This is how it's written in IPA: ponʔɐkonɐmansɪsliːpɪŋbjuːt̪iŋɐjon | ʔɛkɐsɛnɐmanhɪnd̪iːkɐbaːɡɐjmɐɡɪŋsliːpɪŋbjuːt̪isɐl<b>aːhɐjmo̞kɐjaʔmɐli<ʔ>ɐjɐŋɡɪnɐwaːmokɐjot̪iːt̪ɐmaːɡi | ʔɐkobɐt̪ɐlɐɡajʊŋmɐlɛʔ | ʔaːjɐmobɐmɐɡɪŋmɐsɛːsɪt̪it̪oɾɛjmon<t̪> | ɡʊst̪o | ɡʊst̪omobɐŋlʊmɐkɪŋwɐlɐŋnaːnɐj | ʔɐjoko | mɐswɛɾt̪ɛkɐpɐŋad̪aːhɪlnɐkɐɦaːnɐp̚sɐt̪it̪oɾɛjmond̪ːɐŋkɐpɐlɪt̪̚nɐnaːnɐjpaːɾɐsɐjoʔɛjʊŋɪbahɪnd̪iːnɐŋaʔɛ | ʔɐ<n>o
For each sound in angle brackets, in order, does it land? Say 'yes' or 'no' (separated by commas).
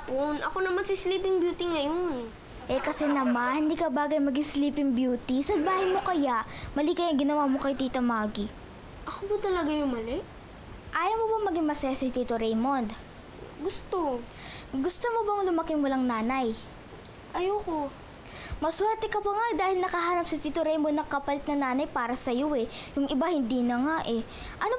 yes, no, no, yes